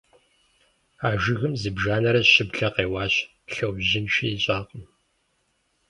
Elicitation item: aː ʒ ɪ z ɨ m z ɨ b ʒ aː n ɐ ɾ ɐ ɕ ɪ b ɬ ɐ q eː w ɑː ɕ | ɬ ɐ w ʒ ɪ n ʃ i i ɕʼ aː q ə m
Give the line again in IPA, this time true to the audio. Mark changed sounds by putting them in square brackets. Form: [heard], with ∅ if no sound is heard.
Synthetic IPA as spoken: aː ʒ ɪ [ɣ] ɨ m z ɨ b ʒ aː n ɐ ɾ ɐ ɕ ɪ b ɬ ɐ q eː w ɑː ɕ | ɬ ɐ w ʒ ɪ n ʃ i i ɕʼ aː q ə m